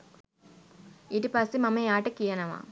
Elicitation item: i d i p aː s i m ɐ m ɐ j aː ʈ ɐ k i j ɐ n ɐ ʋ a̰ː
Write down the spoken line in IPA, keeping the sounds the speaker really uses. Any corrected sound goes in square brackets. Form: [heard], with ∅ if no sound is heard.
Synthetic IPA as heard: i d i p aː s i m ɐ m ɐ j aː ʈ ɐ k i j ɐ n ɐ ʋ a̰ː